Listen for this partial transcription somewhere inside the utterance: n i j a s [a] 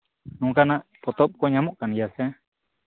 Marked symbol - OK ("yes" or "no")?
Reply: no